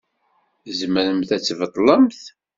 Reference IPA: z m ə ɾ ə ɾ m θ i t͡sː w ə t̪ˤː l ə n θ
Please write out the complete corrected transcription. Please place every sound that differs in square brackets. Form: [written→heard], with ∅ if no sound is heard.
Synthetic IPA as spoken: z m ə ɾ ə [ɾ→∅] m θ [i→æ] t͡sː [w→v] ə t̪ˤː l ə [n→m] θ